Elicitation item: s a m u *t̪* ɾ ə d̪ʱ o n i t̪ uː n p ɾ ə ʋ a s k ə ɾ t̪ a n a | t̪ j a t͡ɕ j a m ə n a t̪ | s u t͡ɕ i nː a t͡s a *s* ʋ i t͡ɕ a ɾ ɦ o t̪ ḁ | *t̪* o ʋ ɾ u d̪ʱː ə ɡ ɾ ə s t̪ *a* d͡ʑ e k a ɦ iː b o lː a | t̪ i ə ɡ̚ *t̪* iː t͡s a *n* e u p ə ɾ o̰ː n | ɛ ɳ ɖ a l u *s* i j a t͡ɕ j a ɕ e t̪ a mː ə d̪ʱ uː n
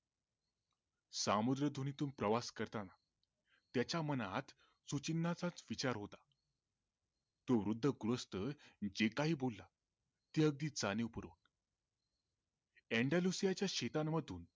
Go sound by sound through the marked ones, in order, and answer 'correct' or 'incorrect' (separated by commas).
incorrect, incorrect, correct, incorrect, incorrect, correct, correct